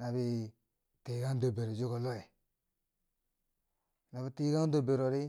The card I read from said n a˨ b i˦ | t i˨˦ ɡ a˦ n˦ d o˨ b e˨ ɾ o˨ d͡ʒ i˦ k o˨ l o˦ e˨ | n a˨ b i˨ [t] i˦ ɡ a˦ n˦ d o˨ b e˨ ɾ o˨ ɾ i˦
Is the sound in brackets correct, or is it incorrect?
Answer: correct